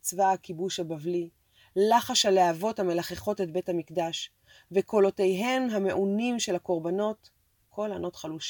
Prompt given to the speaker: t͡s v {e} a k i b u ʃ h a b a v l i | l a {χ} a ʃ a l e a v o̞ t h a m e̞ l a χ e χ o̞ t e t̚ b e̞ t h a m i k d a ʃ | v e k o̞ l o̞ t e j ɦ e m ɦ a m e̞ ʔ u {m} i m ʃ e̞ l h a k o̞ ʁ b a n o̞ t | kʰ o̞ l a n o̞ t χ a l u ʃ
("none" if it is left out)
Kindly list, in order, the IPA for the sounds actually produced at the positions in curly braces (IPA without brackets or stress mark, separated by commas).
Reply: a, χ, n